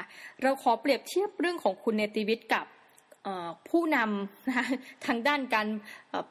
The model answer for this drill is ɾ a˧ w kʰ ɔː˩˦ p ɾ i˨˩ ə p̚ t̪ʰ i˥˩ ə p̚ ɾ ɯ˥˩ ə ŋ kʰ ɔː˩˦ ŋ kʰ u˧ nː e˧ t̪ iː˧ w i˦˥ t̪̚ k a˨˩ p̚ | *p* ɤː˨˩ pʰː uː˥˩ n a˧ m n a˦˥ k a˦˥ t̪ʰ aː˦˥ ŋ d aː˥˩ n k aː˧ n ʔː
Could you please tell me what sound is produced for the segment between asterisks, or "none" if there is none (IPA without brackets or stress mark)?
ʔ